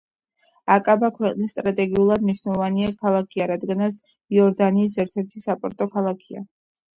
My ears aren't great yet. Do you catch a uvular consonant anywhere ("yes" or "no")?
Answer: yes